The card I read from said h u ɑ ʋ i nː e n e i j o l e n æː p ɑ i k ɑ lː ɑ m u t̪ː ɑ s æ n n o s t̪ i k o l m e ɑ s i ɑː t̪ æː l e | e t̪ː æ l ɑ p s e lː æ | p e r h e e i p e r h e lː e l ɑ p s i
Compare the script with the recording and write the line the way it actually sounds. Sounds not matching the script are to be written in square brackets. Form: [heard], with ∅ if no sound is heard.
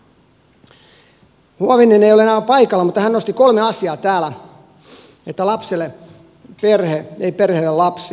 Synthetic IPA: h u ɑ ʋ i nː e n e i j o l e n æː p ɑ i k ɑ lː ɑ m u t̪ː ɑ [h] æ n n o s t̪ i k o l m e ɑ s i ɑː t̪ æː l [æ] | e t̪ː æ l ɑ p s e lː [e] | p e r h e e i p e r h e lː e l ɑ p s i